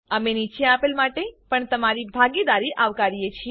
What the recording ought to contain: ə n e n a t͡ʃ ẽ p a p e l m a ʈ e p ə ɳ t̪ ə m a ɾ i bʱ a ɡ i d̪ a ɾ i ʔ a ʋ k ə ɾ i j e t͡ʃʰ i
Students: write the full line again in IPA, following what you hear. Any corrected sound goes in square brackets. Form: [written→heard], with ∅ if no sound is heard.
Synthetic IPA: ə [n→m] e n [a→i] t͡ʃ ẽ [p→∅] a p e l m a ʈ e p ə ɳ t̪ ə m a ɾ i bʱ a ɡ i d̪ a ɾ i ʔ a ʋ k [ə→a] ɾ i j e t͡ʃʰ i